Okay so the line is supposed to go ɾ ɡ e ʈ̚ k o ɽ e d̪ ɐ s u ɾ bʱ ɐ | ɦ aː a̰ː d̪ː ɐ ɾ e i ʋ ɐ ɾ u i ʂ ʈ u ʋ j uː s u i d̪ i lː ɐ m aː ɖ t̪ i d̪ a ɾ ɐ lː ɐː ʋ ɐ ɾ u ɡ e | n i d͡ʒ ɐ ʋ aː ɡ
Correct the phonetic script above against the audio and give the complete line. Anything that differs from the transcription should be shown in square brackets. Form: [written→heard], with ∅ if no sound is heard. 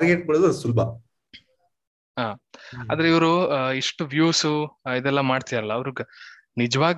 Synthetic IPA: ɾ ɡ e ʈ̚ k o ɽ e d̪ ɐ s u [ɾ→l] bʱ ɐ | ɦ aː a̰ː [d̪ː→d̪] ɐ ɾ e i ʋ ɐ ɾ u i ʂ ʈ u ʋ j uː s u i d̪ [i→ɛ] lː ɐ m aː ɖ t̪ i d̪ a ɾ ɐ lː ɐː ʋ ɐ ɾ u ɡ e | n i d͡ʒ ɐ ʋ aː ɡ